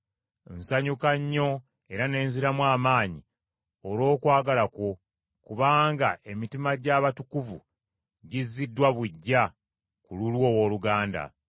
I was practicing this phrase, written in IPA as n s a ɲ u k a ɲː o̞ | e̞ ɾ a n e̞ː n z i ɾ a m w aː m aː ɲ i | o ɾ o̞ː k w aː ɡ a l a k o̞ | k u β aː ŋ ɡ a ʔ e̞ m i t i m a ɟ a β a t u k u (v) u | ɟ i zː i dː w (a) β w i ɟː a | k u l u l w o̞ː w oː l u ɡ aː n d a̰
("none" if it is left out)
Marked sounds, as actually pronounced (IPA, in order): v, a

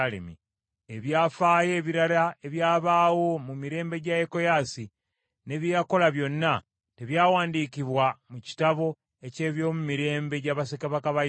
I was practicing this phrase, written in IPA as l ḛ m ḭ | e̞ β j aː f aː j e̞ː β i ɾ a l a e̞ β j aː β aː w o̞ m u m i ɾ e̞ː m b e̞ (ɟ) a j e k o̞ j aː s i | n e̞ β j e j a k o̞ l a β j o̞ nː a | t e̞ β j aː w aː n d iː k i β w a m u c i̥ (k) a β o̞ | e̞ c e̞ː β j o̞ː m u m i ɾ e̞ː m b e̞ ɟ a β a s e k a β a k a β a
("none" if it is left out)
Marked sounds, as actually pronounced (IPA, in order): ɟ, t

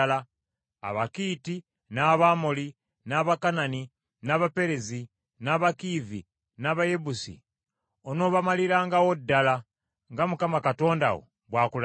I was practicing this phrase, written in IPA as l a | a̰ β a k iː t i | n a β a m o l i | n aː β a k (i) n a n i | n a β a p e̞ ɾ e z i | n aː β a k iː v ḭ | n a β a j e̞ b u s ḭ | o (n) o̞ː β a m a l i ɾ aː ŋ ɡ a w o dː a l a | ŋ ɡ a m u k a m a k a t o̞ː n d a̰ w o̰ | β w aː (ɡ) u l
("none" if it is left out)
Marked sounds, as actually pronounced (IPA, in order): a, n, k

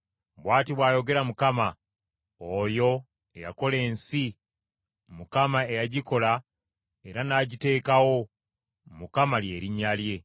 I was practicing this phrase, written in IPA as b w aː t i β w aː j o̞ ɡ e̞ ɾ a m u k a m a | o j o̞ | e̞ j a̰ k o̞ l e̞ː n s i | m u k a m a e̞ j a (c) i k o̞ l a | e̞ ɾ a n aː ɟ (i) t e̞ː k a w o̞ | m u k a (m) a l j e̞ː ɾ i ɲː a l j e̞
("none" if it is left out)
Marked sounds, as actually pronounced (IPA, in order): ɟ, i, m

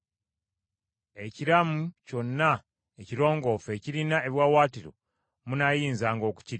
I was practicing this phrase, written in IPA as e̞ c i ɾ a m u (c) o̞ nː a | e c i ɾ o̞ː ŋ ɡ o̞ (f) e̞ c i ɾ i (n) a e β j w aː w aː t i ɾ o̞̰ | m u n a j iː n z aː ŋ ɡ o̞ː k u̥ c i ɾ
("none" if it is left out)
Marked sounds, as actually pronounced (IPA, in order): c, f, n

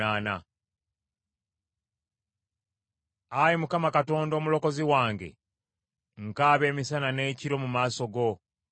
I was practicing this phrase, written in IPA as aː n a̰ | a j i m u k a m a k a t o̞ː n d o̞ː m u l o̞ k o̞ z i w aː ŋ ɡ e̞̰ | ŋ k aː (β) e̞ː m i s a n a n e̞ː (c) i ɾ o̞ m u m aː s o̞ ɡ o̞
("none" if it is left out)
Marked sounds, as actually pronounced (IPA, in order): β, c

